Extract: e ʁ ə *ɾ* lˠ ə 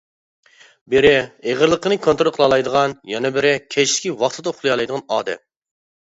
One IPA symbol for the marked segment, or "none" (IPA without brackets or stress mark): ɾ